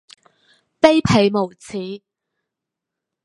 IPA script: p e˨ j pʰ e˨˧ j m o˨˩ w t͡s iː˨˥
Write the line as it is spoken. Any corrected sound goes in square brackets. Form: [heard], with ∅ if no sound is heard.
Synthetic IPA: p [e˥] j pʰ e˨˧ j m o˨˩ w [t͡sʰ] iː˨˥